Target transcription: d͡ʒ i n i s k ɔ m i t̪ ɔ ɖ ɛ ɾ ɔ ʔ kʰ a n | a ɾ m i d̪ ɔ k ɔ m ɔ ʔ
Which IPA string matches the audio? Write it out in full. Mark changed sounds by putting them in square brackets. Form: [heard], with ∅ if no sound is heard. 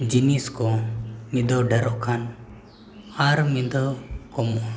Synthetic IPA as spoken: d͡ʒ i n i s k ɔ m i [d̪] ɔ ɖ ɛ ɾ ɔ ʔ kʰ a n | a ɾ m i d̪ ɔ k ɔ m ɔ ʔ